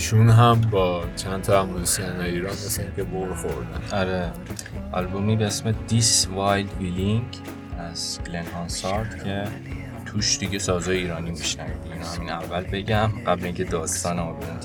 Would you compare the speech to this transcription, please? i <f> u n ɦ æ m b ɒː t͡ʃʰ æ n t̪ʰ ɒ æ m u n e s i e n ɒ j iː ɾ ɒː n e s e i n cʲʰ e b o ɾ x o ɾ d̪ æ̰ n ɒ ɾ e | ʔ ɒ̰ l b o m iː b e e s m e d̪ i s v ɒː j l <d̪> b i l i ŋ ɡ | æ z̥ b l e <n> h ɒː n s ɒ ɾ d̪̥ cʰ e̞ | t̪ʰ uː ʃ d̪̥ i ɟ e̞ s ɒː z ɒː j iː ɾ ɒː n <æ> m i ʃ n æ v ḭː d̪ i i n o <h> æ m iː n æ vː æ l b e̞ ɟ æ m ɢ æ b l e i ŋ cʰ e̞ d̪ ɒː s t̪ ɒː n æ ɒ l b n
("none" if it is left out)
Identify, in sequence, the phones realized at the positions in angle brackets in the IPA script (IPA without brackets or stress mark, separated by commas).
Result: ʃ, d̪, n, i, h